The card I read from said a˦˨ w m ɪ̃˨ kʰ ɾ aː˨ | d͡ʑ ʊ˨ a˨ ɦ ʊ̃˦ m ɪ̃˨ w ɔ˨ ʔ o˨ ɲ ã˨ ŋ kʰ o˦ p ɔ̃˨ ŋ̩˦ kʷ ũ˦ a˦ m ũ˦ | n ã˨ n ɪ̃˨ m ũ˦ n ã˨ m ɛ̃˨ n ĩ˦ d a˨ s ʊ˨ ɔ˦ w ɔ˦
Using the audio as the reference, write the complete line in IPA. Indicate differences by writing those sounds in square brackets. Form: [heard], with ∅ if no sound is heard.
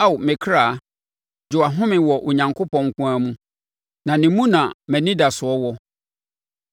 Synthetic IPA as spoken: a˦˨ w m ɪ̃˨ kʰ ɾ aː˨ | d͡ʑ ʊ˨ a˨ ɦ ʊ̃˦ m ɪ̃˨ w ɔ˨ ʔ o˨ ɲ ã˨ ŋ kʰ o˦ p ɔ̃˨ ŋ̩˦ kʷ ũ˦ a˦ m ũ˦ | n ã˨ n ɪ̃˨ m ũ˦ n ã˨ m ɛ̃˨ n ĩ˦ d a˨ s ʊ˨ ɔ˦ w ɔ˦